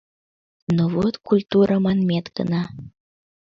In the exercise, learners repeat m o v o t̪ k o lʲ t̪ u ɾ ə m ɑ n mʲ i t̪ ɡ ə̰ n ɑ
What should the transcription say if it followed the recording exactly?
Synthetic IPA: n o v o t̪ k u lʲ t̪ u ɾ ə m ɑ n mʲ e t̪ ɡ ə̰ n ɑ